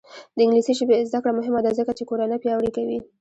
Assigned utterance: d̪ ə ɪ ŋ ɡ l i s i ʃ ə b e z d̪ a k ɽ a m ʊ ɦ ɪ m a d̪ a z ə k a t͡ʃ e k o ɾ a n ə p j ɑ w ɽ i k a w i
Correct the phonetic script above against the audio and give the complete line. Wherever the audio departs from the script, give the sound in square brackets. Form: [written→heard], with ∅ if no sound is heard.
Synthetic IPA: d̪ ə ɪ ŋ ɡ l i s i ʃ ə b e z d̪ a k ɽ a m ʊ ɦ ɪ m a d̪ a z ə k a t͡ʃ e k o ɾ a n ə p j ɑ w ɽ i k a w i

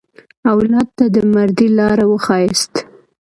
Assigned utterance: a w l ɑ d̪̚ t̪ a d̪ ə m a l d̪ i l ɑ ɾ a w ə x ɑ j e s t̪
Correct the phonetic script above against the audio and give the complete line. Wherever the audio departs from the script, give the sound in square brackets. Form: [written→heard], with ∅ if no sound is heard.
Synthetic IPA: a w l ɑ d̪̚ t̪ a d̪ ə m a [l→ɾ] d̪ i l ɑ ɾ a w ə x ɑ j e s t̪

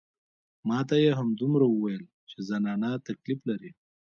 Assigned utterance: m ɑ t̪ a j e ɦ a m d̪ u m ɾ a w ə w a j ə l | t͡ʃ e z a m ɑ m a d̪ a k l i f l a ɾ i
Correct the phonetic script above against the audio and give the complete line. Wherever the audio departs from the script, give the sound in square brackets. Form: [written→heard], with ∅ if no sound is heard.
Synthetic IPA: m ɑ t̪ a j e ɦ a m d̪ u m ɾ a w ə w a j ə l | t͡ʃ e z a [m→n] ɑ [m→n] a [d̪→t̪] a k l i f l a ɾ i

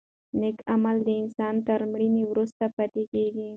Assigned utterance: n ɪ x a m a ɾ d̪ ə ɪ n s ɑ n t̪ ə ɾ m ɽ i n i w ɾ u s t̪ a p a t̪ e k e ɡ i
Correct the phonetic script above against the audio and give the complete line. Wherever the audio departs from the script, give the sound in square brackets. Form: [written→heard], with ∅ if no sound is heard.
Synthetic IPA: n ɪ [x→k] a m a [ɾ→l] d̪ ə ɪ n s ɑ n t̪ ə ɾ m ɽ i n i w ɾ u s t̪ a p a t̪ e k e ɡ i

